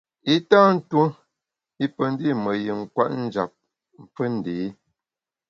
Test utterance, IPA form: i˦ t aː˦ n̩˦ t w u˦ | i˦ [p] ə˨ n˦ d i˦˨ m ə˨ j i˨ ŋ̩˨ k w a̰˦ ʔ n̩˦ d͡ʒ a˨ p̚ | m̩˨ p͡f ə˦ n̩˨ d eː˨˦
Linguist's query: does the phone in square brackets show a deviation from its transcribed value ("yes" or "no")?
no